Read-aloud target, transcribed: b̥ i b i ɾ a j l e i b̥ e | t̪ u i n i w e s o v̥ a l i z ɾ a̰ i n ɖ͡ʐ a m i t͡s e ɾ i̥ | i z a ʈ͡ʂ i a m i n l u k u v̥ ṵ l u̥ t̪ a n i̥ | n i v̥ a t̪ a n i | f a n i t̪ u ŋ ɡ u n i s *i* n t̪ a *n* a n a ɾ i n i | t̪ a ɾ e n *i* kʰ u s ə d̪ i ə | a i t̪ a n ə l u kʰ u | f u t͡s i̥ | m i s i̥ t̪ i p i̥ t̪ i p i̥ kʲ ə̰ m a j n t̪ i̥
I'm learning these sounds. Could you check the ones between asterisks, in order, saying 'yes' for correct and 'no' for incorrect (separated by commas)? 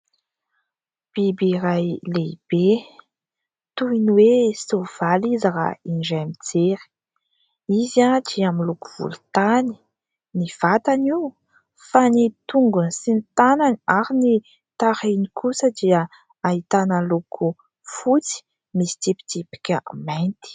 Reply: yes, yes, yes